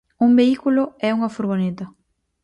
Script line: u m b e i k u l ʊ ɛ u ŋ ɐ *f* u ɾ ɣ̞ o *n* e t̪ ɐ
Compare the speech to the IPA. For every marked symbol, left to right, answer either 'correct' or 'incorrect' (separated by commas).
correct, correct